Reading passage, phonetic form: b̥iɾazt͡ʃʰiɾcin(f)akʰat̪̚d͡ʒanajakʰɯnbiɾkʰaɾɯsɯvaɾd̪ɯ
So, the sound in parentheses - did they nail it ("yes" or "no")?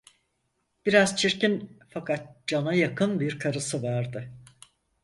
yes